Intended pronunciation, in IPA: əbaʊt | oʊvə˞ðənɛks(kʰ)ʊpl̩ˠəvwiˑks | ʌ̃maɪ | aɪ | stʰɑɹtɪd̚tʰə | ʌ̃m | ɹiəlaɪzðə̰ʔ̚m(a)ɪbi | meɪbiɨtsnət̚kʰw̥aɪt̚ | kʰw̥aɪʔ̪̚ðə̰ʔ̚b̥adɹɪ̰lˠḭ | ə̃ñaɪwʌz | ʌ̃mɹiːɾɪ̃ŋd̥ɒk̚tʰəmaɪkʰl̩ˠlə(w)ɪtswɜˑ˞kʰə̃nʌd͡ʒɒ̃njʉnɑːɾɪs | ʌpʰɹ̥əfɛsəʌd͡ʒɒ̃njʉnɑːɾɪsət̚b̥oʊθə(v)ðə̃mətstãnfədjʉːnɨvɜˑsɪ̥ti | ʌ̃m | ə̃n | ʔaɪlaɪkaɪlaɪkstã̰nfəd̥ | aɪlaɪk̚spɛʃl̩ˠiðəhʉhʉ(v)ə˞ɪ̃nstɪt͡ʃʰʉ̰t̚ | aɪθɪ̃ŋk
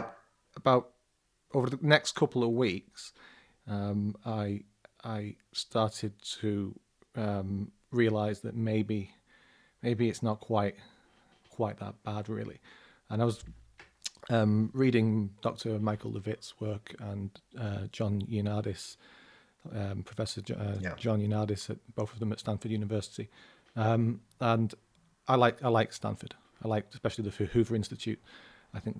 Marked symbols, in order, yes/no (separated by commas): yes, no, no, yes, yes